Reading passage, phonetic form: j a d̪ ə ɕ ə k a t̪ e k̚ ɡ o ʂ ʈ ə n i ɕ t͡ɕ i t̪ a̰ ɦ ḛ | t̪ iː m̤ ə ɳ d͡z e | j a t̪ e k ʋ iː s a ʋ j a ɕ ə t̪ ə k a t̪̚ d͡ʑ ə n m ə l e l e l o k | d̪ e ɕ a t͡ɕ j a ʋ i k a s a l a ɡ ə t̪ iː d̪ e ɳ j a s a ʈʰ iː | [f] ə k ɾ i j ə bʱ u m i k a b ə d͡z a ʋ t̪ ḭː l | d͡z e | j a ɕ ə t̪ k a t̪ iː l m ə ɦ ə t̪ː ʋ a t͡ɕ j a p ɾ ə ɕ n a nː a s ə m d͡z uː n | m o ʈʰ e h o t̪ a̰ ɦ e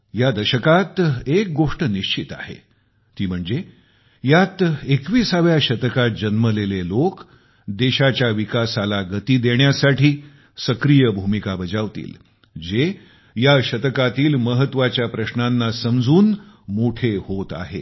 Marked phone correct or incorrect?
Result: incorrect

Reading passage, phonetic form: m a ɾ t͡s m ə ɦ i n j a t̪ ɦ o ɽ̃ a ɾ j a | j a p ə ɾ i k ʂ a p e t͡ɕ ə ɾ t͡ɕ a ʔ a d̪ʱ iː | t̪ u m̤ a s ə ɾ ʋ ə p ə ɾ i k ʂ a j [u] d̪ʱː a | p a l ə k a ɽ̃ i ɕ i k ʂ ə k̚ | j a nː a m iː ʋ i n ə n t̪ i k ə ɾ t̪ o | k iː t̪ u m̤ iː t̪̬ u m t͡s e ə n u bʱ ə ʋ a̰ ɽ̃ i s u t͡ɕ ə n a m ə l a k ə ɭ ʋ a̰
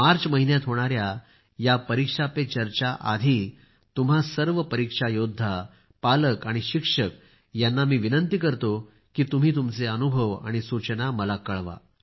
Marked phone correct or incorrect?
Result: incorrect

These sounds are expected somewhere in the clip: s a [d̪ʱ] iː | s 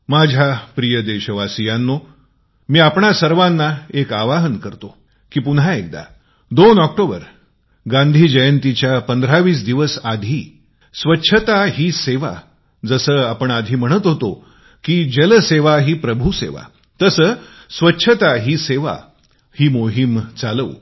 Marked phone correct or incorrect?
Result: correct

